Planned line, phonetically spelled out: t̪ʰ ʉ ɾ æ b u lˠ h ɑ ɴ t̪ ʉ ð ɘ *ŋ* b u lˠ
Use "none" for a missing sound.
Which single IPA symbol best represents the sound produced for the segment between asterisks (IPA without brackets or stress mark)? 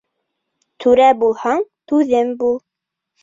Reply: m